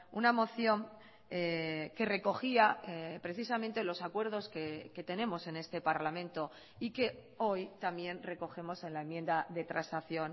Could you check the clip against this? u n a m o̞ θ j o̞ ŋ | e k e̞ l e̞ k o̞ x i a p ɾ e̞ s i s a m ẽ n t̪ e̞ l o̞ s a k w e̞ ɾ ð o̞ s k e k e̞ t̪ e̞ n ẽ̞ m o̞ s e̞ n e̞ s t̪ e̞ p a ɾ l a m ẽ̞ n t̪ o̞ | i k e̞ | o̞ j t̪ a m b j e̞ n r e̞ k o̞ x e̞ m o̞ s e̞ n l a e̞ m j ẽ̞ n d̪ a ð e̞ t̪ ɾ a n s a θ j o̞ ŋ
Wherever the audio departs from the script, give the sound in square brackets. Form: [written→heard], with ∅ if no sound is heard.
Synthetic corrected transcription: u n a m o̞ θ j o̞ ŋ | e k e̞ [l→r] e̞ k o̞ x i a p ɾ e̞ [s→θ] i s a m ẽ n t̪ e̞ l o̞ s a k w e̞ ɾ ð o̞ s k e k e̞ t̪ e̞ n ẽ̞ m o̞ s e̞ n e̞ s t̪ e̞ p a ɾ l a m ẽ̞ n t̪ o̞ | i k e̞ | o̞ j t̪ a m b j e̞ n r e̞ k o̞ x e̞ m o̞ s e̞ n l a e̞ m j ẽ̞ n d̪ a ð e̞ t̪ ɾ a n s a θ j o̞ [ŋ→n]